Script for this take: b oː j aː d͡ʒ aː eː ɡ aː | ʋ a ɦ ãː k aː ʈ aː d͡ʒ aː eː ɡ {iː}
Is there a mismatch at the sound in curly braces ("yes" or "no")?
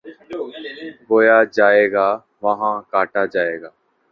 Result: yes